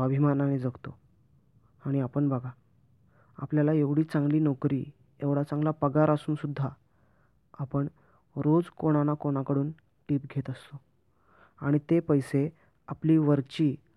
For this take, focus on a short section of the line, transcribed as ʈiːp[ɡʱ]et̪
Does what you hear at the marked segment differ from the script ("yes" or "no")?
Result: no